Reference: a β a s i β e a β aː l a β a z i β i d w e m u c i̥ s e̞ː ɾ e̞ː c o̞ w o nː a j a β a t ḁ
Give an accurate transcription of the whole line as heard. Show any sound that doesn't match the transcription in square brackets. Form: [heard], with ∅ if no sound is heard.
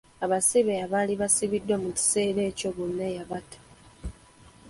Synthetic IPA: a β a s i β e a β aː l [i] β a [s] i β i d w [a] m u c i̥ s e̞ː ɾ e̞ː c o̞ [β] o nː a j a β a t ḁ